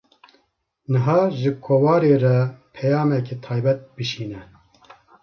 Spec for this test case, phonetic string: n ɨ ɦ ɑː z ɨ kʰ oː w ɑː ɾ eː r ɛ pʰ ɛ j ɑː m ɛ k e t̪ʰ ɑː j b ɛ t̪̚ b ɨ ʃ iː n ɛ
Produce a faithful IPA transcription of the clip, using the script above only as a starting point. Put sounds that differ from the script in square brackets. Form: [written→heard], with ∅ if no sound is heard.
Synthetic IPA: n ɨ ɦ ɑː [z→ʒ] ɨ kʰ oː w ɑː ɾ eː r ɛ pʰ ɛ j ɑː m ɛ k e t̪ʰ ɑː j b ɛ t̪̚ b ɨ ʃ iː n ɛ